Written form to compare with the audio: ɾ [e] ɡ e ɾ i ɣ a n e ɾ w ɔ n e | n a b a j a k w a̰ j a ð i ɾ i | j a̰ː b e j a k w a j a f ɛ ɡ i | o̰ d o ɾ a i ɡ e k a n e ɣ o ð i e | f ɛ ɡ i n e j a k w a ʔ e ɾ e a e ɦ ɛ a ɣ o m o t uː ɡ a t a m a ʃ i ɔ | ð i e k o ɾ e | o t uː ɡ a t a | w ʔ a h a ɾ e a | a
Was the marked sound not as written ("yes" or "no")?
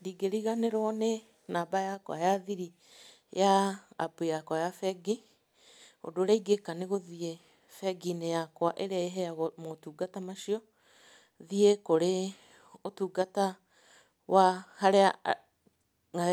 yes